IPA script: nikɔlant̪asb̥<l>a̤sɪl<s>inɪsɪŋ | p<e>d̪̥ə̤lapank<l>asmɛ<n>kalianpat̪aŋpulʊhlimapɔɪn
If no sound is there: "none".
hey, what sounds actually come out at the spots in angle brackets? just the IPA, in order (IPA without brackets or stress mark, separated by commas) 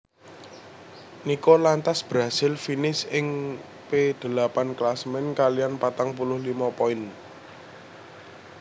ɾ, f, e, l, n